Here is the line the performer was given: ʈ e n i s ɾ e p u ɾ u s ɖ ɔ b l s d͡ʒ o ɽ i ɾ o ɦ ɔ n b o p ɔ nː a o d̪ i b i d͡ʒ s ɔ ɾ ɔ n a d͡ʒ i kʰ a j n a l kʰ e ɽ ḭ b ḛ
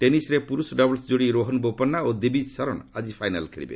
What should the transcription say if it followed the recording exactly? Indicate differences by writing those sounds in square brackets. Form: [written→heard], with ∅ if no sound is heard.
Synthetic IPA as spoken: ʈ e n i s ɾ e p u ɾ u s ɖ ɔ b l s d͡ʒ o ɽ i ɾ o ɦ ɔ n b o p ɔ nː a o d̪ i b i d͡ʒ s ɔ ɾ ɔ n a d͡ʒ i [kʰ→pʰ] a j n a l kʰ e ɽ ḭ b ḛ